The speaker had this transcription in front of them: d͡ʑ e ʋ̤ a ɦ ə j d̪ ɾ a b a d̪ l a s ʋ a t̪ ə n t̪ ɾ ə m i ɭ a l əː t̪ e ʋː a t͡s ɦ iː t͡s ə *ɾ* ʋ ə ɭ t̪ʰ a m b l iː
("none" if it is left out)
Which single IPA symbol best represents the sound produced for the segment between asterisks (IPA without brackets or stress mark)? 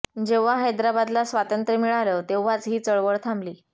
ɭ